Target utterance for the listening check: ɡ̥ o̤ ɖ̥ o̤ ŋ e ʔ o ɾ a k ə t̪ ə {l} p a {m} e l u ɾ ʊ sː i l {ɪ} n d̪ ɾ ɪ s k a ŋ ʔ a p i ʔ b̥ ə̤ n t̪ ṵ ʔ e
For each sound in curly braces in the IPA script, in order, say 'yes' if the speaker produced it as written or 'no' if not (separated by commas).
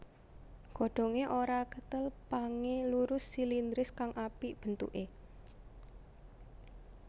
yes, no, no